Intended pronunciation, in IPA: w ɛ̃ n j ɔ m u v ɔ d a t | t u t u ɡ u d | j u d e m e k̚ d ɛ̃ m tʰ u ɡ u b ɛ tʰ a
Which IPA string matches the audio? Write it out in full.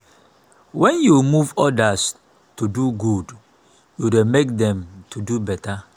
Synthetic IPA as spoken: w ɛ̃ n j u m u v ɔ d a s | t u d u ɡ u d | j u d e m e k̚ d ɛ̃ m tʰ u d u b ɛ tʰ a